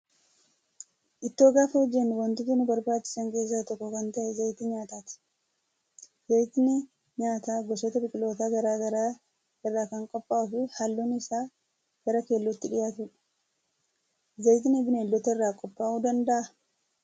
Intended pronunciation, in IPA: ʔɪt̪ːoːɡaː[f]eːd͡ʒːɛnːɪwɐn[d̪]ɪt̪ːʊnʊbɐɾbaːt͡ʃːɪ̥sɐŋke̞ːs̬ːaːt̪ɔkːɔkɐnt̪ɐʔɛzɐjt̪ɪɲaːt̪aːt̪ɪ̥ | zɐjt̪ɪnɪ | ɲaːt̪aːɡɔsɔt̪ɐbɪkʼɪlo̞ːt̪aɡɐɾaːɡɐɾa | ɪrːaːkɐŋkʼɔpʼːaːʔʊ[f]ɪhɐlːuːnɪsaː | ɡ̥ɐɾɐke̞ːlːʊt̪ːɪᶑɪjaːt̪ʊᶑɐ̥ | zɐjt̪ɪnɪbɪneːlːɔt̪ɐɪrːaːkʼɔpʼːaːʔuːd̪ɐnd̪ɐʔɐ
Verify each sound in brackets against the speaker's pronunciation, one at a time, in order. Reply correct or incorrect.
correct, incorrect, correct

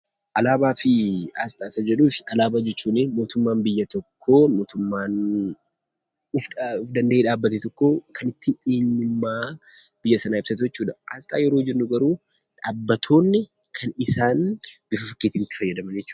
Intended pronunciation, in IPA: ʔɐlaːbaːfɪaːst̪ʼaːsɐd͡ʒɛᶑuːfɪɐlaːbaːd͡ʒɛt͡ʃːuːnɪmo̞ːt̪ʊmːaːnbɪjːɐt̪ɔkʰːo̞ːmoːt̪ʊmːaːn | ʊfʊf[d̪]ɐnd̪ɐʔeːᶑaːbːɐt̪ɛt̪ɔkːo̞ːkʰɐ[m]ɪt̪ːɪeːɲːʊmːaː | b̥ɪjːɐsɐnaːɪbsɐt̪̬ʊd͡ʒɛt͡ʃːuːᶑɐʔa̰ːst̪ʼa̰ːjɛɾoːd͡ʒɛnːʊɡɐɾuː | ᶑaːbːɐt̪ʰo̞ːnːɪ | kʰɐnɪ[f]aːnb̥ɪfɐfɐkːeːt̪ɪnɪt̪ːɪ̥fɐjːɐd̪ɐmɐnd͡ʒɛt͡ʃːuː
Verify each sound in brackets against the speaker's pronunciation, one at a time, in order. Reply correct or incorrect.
correct, incorrect, incorrect

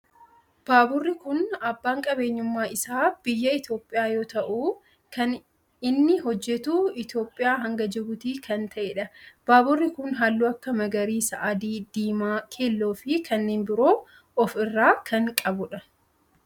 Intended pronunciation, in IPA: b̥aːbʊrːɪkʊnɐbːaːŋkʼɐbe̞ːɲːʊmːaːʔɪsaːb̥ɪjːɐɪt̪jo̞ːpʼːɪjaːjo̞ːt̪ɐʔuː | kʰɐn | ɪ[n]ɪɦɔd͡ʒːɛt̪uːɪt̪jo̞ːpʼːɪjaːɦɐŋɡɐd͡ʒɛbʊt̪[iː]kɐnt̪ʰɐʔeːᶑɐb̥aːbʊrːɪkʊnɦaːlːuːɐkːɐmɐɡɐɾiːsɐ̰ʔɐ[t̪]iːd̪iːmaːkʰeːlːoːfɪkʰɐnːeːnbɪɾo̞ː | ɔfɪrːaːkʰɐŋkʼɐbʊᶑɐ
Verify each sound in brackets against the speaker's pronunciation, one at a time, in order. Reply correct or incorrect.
incorrect, correct, incorrect

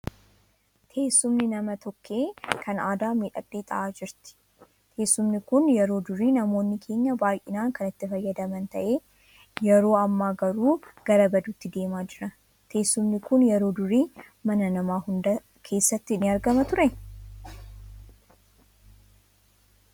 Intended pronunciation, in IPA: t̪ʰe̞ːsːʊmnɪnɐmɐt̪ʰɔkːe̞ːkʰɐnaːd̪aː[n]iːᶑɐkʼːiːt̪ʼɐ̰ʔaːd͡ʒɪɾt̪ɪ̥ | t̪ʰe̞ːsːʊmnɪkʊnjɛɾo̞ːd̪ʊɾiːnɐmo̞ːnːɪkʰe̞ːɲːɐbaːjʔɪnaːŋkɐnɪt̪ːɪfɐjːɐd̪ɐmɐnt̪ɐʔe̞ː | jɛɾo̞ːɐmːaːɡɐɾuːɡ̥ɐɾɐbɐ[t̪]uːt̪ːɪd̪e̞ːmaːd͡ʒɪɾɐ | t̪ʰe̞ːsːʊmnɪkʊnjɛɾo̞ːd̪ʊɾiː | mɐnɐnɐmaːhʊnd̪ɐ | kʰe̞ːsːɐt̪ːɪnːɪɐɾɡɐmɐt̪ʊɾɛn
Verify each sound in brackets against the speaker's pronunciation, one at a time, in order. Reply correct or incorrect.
incorrect, incorrect

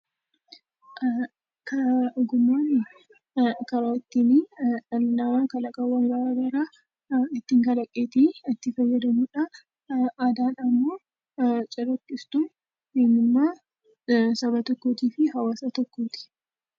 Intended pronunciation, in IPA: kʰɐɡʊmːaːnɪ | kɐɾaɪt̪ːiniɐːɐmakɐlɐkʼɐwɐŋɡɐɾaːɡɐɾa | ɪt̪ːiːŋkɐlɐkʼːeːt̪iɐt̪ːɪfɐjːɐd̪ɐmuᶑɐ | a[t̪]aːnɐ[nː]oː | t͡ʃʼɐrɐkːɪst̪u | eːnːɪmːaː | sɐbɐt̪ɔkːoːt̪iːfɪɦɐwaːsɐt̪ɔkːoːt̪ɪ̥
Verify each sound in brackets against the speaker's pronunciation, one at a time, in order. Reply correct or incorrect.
incorrect, incorrect

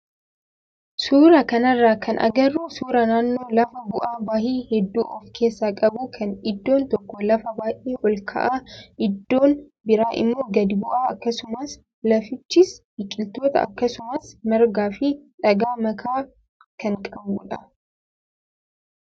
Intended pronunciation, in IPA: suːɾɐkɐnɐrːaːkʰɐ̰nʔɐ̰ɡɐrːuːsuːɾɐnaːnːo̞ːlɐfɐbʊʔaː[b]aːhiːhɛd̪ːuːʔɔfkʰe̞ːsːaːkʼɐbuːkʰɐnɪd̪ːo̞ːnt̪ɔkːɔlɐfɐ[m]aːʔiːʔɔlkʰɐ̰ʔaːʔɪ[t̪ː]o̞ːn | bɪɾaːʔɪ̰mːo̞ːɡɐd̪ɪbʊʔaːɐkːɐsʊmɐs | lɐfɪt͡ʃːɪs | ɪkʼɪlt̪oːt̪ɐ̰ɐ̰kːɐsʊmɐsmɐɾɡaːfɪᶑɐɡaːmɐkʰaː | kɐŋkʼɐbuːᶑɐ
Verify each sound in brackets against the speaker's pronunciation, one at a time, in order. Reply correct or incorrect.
correct, incorrect, incorrect

